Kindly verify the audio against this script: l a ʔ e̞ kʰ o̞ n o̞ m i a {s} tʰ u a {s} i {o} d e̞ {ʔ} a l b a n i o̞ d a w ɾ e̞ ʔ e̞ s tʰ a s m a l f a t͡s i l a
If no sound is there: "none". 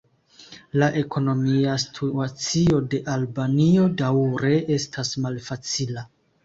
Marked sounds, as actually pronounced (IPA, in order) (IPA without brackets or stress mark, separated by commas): s, t͡s, o, ʔ